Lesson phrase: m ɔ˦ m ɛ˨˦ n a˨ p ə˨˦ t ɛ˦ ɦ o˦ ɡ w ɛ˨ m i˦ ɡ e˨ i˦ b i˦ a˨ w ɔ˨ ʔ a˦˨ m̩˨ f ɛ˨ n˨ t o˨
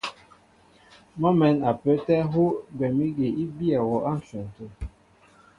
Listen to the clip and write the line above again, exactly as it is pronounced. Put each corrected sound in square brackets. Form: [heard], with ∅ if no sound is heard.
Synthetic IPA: m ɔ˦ m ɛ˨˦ n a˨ p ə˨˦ t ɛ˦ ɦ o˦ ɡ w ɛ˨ m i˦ ɡ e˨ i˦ b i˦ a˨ w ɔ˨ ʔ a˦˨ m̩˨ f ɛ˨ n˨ t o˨